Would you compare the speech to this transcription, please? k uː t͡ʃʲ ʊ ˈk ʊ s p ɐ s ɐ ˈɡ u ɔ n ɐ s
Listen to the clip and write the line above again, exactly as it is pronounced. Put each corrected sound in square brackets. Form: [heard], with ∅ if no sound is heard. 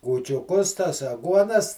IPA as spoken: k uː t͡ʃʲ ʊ ˈk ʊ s [t] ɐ s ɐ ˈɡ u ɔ n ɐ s